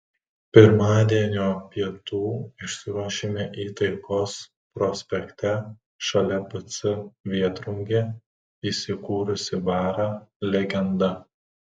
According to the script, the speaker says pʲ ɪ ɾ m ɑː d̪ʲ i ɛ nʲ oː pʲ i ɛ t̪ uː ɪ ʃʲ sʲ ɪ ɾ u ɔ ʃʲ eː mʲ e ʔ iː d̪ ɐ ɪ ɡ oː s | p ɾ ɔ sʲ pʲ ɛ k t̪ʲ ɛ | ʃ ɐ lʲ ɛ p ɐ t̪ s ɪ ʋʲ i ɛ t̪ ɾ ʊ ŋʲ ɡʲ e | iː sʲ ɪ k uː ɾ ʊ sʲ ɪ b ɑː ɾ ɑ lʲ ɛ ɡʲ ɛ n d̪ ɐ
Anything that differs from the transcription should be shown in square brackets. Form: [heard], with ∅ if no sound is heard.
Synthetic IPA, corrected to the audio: pʲ ɪ ɾ m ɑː d̪ʲ i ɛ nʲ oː pʲ i ɛ t̪ uː ɪ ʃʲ sʲ ɪ ɾ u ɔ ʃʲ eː mʲ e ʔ iː [t̪] ɐ ɪ [k] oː s | p ɾ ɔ sʲ pʲ ɛ k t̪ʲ ɛ | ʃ ɐ lʲ ɛ p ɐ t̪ s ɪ ʋʲ i ɛ t̪ ɾ ʊ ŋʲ ɡʲ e | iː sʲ ɪ k uː ɾ ʊ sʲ ɪ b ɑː ɾ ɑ lʲ ɛ ɡʲ ɛ n d̪ ɐ